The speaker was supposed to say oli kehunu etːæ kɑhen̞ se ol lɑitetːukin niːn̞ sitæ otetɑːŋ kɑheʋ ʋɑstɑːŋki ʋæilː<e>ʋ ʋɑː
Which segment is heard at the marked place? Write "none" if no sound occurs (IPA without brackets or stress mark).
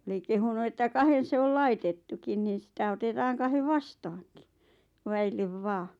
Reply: e